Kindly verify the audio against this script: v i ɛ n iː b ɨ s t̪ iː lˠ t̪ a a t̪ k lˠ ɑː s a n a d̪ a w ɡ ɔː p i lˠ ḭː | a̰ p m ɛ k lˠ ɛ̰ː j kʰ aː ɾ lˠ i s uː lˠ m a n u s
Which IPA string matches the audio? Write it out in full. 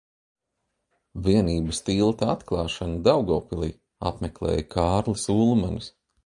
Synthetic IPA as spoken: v i ɛ n iː b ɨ s t̪ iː lˠ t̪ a a t̪ k lˠ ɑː ʃ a n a d̪ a w ɡ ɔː p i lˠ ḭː | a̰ p m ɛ k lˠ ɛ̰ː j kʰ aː ɾ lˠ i s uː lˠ m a n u s